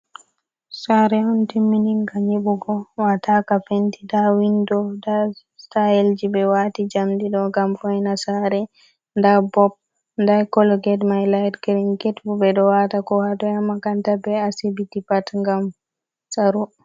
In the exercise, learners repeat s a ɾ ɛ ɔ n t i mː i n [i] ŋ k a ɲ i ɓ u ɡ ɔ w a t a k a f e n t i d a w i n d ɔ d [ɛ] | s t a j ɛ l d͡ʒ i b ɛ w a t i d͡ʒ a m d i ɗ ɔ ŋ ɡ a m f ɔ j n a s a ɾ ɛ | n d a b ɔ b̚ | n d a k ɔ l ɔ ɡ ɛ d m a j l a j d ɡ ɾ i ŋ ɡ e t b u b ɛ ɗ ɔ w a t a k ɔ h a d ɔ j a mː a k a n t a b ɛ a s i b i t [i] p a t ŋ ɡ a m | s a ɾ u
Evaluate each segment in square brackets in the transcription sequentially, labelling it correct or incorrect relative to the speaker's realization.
correct, incorrect, correct

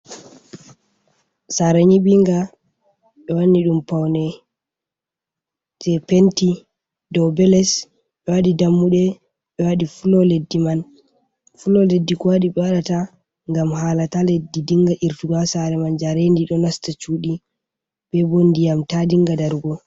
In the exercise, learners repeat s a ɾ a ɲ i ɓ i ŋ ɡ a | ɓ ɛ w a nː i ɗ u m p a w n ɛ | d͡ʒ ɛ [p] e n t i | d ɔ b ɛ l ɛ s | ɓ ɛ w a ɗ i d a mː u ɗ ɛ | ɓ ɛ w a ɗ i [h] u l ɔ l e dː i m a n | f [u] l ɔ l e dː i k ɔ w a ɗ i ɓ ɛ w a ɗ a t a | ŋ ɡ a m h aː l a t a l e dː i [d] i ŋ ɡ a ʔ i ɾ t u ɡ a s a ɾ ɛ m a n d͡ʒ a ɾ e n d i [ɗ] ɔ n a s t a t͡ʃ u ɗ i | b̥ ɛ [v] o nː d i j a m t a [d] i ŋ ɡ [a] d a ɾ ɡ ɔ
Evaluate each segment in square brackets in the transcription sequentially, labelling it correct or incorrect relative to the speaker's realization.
correct, incorrect, correct, correct, correct, incorrect, correct, correct

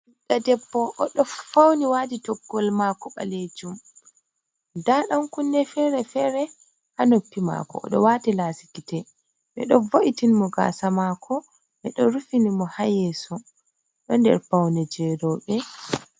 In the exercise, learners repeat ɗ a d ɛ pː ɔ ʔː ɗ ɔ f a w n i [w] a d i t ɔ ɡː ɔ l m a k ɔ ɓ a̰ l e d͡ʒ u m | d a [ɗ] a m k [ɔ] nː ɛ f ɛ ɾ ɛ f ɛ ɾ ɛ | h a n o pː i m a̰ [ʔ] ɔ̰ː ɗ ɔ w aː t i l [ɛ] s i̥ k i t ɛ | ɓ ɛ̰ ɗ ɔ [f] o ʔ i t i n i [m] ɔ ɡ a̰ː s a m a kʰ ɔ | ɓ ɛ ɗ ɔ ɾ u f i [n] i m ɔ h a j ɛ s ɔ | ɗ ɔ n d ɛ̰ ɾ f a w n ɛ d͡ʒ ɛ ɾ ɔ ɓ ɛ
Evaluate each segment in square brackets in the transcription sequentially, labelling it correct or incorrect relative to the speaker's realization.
correct, correct, incorrect, incorrect, incorrect, incorrect, correct, correct

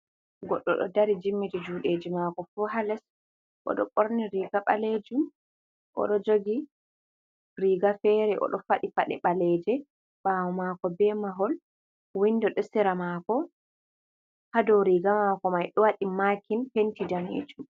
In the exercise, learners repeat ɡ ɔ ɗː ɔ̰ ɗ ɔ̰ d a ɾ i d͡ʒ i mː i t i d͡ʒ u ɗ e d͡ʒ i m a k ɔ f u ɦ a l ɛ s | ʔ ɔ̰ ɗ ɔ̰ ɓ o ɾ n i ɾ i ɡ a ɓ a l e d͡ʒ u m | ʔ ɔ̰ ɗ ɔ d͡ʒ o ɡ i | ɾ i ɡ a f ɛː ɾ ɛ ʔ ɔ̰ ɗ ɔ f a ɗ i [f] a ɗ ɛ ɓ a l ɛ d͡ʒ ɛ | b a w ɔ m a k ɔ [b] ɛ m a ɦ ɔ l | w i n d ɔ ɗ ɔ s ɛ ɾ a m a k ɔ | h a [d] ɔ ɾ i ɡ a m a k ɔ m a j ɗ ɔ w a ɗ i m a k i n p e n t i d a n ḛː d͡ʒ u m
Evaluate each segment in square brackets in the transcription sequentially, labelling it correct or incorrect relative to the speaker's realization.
correct, correct, correct

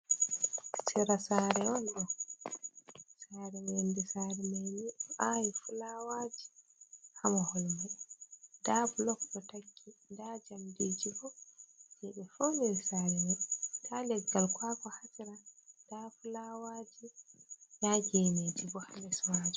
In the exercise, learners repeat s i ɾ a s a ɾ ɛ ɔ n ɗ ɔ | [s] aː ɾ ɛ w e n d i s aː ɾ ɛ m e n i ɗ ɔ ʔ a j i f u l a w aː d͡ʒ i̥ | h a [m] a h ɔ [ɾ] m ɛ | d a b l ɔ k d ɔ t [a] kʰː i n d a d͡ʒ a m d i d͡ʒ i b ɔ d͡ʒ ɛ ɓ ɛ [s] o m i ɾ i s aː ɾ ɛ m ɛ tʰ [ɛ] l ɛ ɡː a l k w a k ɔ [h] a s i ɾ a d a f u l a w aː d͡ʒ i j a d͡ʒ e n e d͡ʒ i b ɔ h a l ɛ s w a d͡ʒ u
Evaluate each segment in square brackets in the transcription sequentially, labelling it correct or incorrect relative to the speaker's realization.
correct, correct, incorrect, correct, incorrect, incorrect, correct

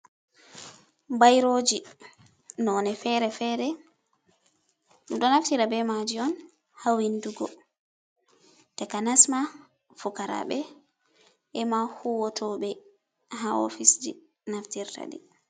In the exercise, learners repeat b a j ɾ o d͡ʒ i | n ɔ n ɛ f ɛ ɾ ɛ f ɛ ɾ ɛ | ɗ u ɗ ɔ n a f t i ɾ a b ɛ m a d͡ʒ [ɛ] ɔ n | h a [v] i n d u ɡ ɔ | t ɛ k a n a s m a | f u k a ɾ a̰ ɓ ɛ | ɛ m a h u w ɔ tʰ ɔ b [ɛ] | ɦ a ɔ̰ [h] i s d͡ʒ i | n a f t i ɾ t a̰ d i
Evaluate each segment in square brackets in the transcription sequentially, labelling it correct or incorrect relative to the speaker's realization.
incorrect, incorrect, correct, incorrect

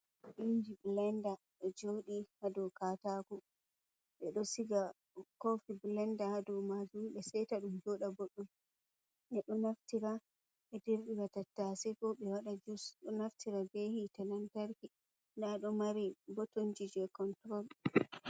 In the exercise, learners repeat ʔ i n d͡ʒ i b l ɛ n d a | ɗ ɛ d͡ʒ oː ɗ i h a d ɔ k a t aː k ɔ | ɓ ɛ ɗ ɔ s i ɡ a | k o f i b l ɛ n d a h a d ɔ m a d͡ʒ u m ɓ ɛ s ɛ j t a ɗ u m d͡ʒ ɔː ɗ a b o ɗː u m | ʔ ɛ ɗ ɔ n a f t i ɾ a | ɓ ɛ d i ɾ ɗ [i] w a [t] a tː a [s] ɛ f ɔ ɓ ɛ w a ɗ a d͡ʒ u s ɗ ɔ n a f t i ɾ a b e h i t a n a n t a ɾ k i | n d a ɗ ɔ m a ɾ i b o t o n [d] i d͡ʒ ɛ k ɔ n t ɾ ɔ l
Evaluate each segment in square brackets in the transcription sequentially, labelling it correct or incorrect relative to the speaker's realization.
correct, correct, correct, incorrect

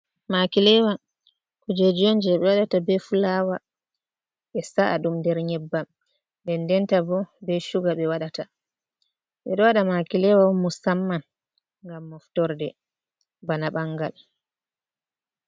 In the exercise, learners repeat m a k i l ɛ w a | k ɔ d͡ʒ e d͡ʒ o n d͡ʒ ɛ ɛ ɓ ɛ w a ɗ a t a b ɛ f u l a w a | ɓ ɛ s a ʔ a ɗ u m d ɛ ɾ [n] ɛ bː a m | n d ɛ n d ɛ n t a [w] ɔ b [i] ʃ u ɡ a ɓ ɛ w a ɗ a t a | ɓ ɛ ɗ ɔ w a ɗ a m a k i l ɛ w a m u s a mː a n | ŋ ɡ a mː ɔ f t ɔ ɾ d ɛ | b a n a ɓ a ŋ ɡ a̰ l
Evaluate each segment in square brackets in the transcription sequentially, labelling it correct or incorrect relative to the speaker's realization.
incorrect, incorrect, incorrect

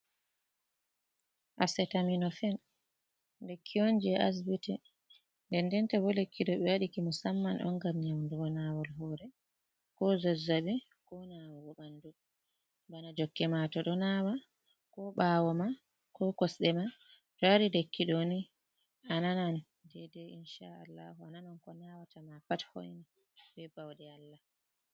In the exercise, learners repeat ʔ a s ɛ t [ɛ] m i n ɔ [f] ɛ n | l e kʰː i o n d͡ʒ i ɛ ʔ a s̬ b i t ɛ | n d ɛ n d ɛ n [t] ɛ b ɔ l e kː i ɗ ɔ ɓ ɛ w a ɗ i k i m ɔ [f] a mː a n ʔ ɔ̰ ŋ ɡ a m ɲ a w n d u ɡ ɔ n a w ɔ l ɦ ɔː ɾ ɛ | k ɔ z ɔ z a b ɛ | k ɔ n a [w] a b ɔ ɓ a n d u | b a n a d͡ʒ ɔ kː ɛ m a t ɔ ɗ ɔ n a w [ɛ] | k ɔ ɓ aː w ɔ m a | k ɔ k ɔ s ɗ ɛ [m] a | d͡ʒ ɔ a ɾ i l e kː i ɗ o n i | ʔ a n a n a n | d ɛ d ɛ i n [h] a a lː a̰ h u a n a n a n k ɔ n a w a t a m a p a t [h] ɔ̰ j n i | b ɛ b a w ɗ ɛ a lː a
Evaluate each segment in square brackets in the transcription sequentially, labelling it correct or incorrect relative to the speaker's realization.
incorrect, correct, correct, incorrect, correct, incorrect, correct, incorrect, correct

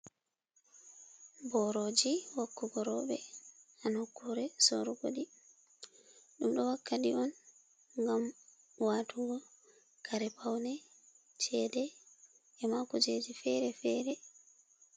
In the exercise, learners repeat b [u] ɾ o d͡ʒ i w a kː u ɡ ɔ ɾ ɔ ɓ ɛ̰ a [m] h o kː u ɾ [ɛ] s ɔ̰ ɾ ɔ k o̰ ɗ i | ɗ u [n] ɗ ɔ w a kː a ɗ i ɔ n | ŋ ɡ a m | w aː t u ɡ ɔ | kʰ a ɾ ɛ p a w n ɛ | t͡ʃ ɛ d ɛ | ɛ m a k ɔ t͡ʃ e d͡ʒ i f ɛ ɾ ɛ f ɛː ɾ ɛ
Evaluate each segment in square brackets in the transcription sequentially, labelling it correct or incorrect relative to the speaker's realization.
incorrect, incorrect, correct, incorrect

